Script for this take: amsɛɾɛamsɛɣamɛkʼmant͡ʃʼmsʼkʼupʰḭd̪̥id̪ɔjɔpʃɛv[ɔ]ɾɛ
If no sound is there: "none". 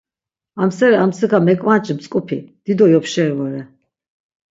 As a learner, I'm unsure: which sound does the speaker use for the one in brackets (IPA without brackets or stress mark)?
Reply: ɔ